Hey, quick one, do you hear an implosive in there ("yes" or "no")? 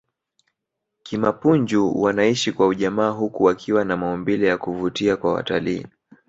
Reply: yes